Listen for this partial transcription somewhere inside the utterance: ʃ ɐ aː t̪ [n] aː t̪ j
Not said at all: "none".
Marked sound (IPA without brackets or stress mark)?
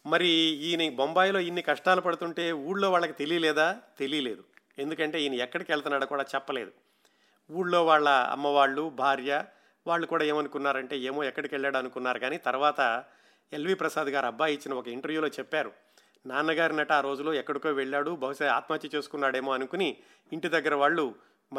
m